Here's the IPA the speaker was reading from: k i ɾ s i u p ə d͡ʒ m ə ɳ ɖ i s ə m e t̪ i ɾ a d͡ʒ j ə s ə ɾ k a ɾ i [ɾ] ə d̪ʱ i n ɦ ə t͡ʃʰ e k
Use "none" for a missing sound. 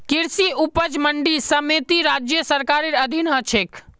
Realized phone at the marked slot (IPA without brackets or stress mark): ɾ